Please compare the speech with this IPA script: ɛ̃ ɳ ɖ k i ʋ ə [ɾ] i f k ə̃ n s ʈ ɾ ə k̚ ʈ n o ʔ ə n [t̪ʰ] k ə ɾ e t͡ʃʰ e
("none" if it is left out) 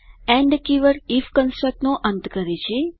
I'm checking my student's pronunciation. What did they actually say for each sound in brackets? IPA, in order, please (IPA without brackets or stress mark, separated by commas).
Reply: ɾ, t̪